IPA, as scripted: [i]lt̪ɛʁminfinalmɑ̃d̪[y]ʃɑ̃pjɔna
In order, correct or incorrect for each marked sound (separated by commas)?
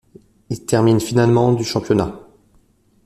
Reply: correct, correct